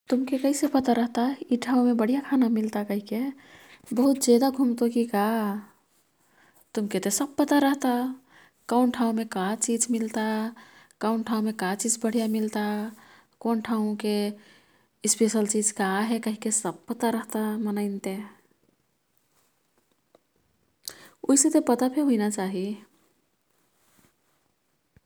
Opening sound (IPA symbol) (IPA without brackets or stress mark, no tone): t̪